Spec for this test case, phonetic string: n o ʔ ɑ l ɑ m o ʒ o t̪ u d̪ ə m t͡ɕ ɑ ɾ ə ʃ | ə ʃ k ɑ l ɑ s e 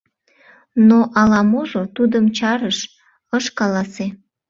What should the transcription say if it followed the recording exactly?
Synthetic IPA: n o ʔ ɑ l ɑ m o ʒ o t̪ u d̪ ə m t͡ɕ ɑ ɾ ə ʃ | ə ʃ k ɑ l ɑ s e